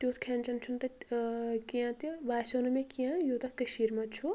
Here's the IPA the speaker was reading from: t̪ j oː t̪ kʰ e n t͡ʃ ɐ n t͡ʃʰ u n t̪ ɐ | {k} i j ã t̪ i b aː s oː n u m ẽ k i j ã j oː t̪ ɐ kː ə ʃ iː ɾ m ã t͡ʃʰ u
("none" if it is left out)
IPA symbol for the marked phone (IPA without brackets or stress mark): k